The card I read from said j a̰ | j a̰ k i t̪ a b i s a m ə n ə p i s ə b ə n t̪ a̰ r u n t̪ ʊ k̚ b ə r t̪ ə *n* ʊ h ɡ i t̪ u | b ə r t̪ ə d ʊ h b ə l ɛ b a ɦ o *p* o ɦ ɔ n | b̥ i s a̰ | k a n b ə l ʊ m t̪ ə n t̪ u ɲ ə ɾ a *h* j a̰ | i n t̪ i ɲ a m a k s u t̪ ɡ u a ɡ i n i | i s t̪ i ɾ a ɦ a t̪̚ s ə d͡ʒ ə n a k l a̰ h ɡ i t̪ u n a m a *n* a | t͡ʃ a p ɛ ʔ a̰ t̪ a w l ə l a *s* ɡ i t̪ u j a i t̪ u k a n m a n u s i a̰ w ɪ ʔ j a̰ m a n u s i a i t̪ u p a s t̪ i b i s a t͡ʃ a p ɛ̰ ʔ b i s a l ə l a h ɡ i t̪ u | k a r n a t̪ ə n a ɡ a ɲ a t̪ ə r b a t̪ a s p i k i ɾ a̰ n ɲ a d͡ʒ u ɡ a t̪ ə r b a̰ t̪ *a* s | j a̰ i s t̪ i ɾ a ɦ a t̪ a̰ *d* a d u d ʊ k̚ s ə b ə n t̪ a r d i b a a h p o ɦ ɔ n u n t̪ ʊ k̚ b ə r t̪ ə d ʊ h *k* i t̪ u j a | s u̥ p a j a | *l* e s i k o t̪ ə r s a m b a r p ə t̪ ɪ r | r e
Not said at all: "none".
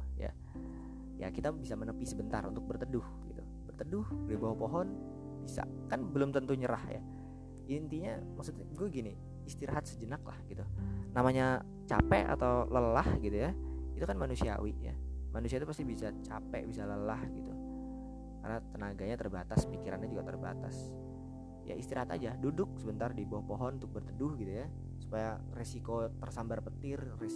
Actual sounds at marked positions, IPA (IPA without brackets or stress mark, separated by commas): d, p, h, ɲ, h, a, d͡ʒ, ɡ, r